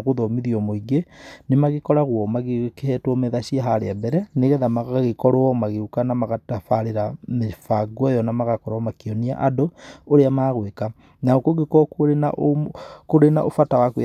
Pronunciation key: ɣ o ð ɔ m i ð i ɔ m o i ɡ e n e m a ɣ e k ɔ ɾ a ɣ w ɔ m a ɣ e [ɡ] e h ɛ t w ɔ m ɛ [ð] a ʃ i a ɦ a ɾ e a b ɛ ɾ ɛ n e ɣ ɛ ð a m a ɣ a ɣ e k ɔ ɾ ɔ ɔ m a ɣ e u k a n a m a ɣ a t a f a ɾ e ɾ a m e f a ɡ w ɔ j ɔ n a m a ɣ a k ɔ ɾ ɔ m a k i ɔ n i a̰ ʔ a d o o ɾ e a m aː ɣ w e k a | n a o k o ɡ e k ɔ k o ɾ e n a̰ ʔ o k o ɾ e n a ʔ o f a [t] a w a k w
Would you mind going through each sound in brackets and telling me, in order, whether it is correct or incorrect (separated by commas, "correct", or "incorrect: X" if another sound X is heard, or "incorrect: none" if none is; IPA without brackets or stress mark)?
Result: incorrect: k, correct, correct